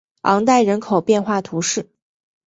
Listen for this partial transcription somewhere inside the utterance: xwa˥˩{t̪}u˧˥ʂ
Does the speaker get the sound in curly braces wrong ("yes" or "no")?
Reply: yes